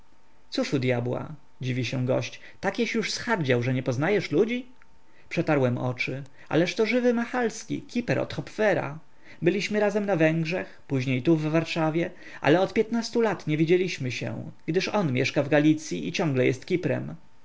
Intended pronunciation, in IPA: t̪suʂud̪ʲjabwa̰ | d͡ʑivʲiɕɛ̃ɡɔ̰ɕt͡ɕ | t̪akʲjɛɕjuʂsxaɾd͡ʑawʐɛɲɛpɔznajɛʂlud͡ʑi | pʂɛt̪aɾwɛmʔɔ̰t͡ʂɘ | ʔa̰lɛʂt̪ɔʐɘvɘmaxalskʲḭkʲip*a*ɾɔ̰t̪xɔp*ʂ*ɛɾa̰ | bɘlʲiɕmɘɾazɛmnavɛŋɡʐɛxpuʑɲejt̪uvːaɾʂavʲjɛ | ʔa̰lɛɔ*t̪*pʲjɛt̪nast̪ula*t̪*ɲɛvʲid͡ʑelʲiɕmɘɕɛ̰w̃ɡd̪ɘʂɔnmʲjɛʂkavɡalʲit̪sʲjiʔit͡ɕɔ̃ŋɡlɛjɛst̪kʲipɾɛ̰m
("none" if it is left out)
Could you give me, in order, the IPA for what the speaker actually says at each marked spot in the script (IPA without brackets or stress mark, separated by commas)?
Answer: ɛ, f, t̪, t̪